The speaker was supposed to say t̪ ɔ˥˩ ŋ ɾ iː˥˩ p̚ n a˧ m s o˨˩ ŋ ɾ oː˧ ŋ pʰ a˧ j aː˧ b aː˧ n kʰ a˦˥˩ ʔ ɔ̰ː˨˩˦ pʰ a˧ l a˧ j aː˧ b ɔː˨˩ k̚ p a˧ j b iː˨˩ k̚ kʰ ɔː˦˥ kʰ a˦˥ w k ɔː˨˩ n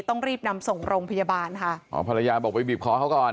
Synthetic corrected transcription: t̪ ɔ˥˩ ŋ ɾ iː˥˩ p̚ n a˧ m s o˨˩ ŋ ɾ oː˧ ŋ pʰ a˧ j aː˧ b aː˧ n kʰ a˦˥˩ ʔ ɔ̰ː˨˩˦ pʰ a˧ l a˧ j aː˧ b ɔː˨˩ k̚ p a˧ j b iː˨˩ p̚ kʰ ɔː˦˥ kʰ a˦˥ w k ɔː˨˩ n